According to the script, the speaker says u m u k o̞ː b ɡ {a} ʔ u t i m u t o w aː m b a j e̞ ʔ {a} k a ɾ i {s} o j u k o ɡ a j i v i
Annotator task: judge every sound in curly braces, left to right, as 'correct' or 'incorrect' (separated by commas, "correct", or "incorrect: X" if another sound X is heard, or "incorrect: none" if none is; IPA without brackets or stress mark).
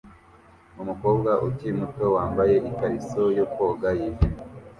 correct, incorrect: i, correct